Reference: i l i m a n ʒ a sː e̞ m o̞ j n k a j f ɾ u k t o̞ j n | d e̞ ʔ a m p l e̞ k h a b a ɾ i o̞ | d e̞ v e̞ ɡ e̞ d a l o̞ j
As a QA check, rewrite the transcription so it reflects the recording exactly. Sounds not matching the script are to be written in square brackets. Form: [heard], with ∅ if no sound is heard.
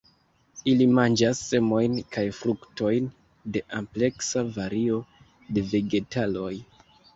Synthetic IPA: i l i m a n [d͡ʒ] a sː e̞ m o̞ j n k a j f ɾ u k t o̞ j n | d e̞ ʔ a m p l e̞ k [s] a [v] a ɾ i o̞ | d e̞ v e̞ ɡ e̞ [t] a l o̞ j